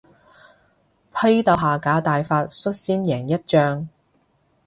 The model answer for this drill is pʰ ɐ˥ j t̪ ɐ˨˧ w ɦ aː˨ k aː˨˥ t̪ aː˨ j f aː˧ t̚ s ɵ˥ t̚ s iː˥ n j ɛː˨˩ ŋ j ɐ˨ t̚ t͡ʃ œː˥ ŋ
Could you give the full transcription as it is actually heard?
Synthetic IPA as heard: pʰ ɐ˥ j t̪ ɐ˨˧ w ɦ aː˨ k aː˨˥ t̪ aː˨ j f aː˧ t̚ s ɵ˥ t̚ s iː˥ n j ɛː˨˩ ŋ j ɐ˥ t̚ t͡ʃ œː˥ ŋ